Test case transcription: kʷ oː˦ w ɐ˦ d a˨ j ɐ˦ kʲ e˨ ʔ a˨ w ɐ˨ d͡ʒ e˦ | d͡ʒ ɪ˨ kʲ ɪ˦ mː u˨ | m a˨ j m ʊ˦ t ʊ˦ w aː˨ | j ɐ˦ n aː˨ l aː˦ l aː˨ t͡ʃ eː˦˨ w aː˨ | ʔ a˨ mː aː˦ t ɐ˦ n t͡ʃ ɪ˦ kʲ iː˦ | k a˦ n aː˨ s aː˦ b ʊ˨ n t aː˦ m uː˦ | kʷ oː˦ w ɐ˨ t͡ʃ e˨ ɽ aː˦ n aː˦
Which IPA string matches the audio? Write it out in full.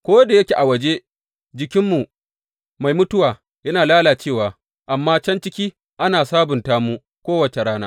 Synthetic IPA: kʷ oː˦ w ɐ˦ d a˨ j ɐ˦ kʲ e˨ ʔ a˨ w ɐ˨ d͡ʒ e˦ | d͡ʒ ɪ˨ kʲ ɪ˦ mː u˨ | m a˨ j m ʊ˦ t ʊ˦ w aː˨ | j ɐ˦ n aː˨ l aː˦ l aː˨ t͡ʃ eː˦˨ w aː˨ | ʔ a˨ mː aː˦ t͡ʃ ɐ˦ n t͡ʃ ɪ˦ kʲ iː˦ | ʔ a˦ n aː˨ s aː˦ b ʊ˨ n t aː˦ m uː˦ | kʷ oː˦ w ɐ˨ t͡ʃ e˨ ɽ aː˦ n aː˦